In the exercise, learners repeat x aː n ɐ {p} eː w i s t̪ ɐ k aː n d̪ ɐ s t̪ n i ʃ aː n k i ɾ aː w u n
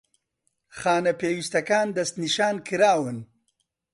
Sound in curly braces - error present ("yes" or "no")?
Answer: no